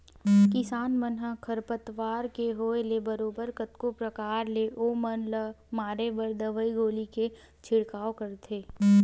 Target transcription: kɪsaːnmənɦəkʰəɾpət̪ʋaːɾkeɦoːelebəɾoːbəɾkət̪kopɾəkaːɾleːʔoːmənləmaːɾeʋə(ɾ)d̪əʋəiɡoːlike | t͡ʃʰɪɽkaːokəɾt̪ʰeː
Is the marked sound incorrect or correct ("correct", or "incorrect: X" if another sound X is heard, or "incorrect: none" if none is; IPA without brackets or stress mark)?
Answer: correct